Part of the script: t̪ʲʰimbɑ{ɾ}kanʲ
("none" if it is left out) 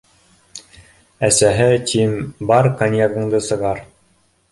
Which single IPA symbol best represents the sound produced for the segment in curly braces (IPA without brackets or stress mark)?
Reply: ɾ